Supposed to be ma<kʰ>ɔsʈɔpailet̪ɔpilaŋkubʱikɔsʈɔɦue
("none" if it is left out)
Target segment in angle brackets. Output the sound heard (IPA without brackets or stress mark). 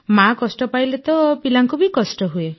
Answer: k